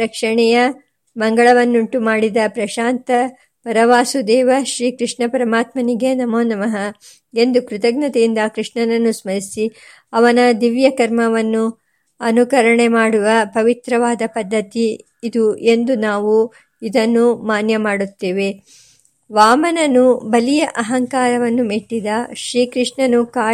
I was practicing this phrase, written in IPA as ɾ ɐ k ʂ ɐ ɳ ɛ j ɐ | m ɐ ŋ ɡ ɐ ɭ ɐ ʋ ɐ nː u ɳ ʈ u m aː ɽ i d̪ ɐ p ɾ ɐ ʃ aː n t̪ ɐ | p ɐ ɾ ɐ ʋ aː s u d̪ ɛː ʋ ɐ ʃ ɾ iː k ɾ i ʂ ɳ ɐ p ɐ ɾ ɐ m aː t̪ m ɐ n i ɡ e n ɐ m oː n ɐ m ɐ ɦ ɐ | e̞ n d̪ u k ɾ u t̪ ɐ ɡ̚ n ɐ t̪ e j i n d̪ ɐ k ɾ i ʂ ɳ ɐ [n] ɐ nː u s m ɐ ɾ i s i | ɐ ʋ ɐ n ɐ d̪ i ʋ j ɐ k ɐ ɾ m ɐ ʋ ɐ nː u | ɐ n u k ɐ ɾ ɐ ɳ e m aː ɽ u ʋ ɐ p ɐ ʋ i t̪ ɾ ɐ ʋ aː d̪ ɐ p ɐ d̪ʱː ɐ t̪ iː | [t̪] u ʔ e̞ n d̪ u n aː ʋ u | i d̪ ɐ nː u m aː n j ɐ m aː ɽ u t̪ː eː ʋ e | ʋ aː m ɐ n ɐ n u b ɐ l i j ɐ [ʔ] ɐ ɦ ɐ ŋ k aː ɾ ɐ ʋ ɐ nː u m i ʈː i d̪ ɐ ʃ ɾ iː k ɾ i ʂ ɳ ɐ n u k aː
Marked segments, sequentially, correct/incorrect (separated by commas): correct, incorrect, correct